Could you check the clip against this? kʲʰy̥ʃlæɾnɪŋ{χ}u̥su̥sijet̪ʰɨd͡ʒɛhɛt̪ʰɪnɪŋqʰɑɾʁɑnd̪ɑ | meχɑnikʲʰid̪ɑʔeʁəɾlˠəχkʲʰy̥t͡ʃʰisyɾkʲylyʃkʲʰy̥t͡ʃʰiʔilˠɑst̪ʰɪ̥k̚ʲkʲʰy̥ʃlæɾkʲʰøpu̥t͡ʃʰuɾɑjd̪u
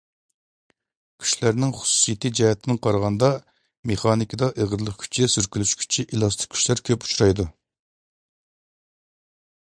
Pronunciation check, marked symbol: correct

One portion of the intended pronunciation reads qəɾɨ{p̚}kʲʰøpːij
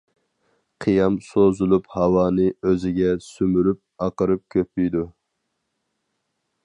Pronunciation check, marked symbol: correct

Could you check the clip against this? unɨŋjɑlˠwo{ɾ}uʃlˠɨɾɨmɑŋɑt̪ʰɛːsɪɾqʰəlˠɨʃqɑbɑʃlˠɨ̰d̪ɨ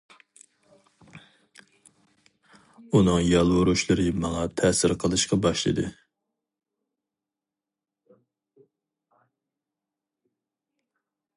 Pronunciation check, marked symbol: correct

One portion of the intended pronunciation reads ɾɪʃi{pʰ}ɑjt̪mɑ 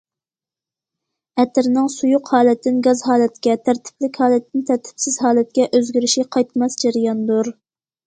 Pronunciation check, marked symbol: incorrect: qʰ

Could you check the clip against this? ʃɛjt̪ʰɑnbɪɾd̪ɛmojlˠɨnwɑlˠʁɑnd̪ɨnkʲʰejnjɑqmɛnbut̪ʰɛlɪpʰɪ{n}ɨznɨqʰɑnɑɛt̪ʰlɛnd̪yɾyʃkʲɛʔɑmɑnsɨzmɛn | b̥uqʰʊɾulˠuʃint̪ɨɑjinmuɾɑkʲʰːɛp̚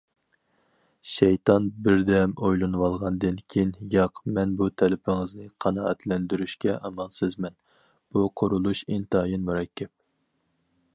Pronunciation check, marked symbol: incorrect: ŋ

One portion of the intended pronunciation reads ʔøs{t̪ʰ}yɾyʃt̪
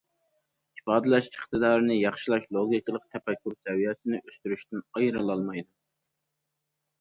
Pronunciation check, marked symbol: incorrect: t̪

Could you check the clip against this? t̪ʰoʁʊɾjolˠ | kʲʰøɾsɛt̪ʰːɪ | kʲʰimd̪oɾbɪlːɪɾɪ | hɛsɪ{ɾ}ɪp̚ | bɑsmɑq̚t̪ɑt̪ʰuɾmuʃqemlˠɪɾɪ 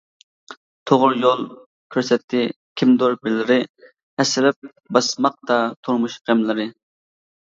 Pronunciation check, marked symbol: incorrect: l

